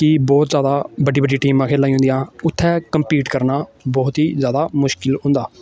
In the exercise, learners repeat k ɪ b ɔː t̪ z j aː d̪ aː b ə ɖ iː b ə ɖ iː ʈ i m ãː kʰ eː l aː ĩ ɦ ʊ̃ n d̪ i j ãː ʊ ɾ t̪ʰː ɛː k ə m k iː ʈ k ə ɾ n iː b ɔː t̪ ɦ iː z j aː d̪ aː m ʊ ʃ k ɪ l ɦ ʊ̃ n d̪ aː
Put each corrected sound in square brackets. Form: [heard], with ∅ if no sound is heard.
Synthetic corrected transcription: k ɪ b ɔː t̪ z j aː d̪ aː b ə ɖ iː b ə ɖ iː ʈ [iː] m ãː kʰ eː l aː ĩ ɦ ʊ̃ n d̪ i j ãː ʊ [∅] t̪ʰː ɛː k ə m [p] iː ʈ k ə ɾ n [aː] b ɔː t̪ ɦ iː z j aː d̪ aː m ʊ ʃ k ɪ l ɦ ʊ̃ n d̪ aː